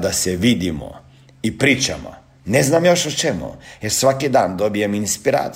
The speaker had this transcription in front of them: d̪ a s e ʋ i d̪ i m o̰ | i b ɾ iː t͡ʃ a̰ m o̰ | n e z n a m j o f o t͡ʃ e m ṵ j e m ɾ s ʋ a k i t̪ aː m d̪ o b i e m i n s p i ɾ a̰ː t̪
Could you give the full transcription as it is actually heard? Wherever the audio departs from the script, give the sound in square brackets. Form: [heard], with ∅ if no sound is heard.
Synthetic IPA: d̪ a s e ʋ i d̪ i m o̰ | i [p] ɾ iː t͡ʃ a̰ m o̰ | n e z n a m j o [ʃ] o t͡ʃ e m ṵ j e [∅] ɾ s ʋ a k i [d̪] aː [n] d̪ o b i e m i n s p i ɾ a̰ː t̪